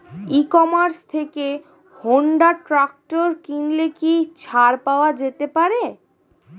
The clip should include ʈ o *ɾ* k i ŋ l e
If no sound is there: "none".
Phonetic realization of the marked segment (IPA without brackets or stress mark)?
ɾ